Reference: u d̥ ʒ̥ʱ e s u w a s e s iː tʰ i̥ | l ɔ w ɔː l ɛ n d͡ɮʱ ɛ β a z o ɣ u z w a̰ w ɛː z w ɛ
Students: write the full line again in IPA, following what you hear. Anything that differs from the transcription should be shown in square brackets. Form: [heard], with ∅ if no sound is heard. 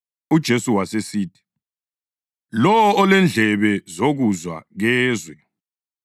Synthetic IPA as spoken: u d̥ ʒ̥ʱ e s u w a s e s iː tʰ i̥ | l ɔ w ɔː l ɛ n d͡ɮʱ ɛ β [ɛ] z o ɣ u z w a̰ [ɣ] ɛː z w ɛ